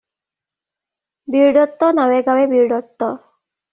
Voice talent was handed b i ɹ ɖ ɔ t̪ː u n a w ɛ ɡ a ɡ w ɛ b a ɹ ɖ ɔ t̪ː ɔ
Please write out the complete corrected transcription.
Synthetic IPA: b i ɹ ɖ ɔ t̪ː ɔ n a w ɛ ɡ a w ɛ b i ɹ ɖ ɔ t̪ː ɔ